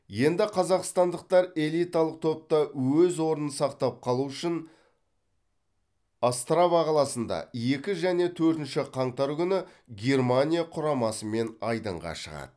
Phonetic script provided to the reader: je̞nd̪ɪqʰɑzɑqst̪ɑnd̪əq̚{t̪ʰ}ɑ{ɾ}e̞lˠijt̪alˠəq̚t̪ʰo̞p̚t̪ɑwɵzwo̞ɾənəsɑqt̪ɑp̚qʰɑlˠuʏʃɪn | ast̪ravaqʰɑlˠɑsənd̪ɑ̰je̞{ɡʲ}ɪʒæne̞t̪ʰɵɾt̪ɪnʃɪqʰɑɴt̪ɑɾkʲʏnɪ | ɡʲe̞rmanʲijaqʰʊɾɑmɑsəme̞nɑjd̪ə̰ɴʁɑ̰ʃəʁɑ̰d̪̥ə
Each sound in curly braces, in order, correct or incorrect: incorrect: t̪, correct, incorrect: kʲ

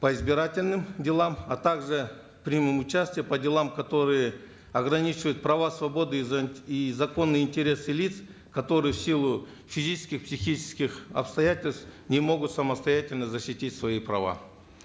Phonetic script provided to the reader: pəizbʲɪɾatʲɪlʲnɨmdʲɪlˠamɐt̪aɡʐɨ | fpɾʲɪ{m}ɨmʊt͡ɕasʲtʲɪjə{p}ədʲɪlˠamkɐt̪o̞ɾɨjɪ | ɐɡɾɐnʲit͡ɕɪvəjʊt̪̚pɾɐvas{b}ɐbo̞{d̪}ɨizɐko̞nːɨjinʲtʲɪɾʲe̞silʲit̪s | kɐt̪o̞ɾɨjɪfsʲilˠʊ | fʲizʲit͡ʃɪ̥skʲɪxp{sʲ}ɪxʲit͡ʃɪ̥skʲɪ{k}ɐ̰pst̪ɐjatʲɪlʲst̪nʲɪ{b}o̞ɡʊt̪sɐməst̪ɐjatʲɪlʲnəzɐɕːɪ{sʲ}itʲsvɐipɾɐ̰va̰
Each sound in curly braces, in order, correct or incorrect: correct, correct, incorrect: v, correct, correct, incorrect: x, incorrect: m, incorrect: tʲ

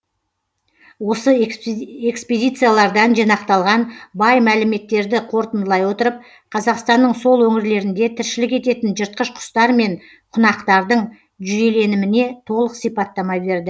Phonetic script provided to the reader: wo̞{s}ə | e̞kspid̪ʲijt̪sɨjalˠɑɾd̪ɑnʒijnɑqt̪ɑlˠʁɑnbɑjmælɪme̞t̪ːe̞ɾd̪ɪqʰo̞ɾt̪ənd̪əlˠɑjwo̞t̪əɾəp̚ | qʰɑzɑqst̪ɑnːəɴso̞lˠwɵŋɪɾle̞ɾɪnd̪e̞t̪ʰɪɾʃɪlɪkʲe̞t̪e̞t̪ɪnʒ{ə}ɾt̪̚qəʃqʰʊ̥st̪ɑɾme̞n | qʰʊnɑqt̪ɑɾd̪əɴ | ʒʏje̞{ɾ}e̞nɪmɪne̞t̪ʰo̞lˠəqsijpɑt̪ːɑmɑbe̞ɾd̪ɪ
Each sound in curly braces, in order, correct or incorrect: correct, correct, incorrect: l

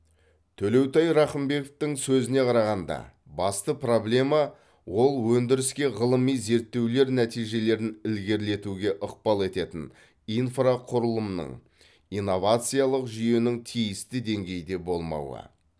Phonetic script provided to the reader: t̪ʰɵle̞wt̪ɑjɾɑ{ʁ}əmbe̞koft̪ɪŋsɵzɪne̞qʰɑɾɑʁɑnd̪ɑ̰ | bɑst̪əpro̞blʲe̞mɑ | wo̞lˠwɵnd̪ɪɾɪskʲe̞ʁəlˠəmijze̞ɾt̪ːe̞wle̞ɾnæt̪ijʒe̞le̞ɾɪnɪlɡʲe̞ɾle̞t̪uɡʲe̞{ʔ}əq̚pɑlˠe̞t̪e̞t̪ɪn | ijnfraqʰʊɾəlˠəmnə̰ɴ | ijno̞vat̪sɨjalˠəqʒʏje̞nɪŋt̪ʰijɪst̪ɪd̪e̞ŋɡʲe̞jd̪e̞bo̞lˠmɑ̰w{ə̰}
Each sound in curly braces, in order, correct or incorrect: incorrect: χ, correct, correct

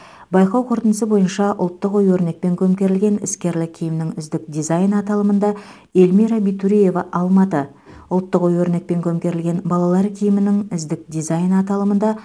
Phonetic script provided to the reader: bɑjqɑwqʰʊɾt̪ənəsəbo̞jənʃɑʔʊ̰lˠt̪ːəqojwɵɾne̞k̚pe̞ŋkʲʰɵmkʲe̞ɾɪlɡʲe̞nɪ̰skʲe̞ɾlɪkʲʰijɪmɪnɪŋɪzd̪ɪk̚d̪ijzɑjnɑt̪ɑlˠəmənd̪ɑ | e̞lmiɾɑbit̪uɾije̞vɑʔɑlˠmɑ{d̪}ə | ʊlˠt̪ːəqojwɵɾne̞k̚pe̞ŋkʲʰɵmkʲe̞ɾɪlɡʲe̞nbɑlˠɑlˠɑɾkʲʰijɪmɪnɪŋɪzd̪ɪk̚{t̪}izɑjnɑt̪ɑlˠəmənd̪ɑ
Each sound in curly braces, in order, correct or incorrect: incorrect: t̪, incorrect: d̪

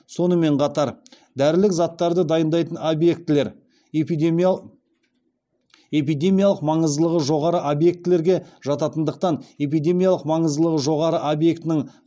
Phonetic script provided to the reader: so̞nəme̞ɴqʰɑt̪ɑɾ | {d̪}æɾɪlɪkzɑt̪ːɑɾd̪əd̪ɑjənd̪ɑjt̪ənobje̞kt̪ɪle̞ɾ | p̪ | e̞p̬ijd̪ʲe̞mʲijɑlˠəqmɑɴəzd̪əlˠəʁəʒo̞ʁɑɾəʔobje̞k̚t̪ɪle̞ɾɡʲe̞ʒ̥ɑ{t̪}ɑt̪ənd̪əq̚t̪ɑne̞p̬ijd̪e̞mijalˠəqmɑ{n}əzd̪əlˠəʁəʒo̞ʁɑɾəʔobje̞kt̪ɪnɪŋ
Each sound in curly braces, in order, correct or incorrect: correct, correct, incorrect: ɴ

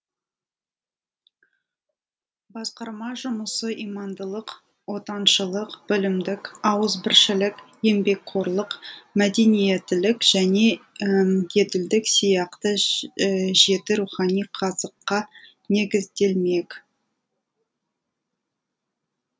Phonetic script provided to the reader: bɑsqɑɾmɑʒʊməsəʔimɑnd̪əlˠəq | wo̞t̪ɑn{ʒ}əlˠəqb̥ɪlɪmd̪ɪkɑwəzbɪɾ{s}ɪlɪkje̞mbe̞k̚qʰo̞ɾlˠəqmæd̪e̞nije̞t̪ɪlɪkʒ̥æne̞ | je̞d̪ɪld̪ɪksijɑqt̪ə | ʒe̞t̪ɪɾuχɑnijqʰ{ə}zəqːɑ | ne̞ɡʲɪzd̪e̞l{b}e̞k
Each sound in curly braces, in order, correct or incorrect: incorrect: ʃ, incorrect: ʃ, incorrect: ɑ, incorrect: m

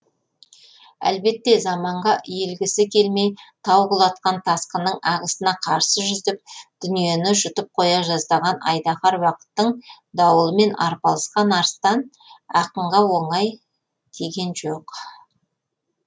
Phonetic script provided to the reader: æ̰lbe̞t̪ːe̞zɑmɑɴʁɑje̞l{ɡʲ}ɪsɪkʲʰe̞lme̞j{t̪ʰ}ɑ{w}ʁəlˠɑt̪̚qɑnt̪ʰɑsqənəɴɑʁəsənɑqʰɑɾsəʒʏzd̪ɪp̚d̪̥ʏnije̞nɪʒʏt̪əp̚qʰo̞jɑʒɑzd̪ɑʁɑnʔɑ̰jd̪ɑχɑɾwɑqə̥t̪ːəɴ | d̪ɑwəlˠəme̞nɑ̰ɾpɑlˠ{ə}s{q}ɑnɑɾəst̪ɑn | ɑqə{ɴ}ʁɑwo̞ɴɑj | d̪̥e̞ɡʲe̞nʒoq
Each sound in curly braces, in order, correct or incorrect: correct, correct, correct, correct, correct, correct

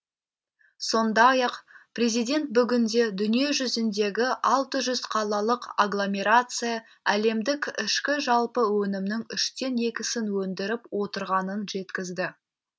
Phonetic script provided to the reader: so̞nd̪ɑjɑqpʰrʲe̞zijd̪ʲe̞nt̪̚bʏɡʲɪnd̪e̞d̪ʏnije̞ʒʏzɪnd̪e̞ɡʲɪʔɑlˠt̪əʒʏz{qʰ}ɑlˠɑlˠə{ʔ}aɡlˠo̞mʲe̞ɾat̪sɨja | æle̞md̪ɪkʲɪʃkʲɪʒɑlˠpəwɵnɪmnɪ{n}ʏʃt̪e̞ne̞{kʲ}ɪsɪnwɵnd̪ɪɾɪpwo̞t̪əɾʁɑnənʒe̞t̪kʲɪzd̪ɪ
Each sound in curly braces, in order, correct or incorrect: correct, incorrect: q, incorrect: ŋ, correct

